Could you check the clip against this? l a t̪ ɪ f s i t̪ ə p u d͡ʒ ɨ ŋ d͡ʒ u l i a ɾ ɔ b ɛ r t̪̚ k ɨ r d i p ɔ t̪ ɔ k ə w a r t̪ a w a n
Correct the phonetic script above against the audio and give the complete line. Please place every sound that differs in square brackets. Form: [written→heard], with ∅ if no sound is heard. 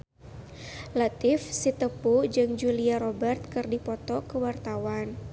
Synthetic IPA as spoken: l a t̪ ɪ f s i t̪ ə p u d͡ʒ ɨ ŋ d͡ʒ u l i a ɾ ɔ b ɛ r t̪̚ k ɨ r d i p ɔ t̪ ɔ k ə w a r t̪ a w a n